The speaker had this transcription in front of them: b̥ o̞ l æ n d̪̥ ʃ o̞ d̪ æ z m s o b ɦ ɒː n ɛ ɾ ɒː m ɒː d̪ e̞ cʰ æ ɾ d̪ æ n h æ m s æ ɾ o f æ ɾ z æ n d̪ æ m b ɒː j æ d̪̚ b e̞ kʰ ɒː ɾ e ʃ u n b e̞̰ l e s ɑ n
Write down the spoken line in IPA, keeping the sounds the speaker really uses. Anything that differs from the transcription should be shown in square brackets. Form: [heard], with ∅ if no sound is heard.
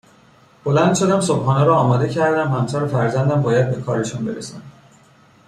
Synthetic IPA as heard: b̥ o̞ l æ n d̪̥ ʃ o̞ d̪ æ [∅] m s o b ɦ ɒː n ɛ ɾ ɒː m ɒː d̪ e̞ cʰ æ ɾ d̪ æ [m] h æ m s æ ɾ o f æ ɾ z æ n d̪ æ m b ɒː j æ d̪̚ b e̞ kʰ ɒː ɾ e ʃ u n b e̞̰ [ɾ] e s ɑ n